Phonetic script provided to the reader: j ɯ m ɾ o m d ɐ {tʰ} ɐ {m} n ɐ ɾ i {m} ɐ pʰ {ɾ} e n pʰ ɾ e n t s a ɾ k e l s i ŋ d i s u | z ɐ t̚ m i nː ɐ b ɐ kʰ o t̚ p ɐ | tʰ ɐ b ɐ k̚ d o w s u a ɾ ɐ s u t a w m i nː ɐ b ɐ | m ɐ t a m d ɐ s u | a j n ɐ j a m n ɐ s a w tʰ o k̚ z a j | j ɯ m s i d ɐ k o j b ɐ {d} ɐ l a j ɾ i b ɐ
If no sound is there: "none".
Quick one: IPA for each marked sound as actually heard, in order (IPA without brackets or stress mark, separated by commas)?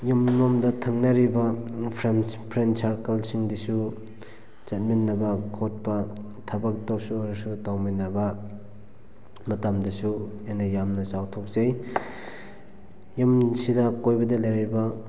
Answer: tʰ, ŋ, b, ɾ, d